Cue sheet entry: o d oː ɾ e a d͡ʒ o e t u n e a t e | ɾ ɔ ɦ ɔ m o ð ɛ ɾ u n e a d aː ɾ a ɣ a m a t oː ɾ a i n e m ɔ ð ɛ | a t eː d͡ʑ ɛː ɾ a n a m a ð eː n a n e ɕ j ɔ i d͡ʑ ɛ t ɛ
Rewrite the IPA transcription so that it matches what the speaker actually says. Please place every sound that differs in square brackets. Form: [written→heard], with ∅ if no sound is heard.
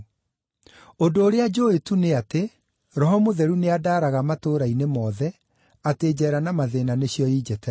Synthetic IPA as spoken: o d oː ɾ e a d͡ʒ o e t u n e a t e | ɾ ɔ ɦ ɔ m o ð ɛ ɾ u n e a d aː ɾ a ɣ a m a t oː ɾ a i n e m ɔ ð ɛ | a t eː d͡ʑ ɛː ɾ a n a m a ð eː n a n e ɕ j ɔ i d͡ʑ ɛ t ɛ